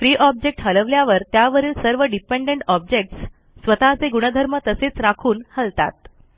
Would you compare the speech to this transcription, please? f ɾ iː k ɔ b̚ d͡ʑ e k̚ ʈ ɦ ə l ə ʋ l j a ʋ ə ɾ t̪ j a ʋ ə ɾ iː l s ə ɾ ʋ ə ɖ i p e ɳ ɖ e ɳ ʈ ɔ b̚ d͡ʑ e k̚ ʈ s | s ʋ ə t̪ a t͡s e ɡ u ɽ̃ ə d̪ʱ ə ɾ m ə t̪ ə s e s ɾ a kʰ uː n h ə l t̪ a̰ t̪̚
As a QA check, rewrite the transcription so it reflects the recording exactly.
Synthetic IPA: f ɾ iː ʔ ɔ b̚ d͡ʑ e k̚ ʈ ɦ ə l ə ʋ l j a ʋ ə ɾ t̪ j a ʋ ə ɾ iː l s ə ɾ ʋ ə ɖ i p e ɳ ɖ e ɳ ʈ ɔ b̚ d͡ʑ e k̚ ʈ s | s ʋ ə t̪ a t͡s e ɡ u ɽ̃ ə d̪ʱ ə ɾ m ə t̪ ə s e t͡s ɾ a kʰ uː n h ə l t̪ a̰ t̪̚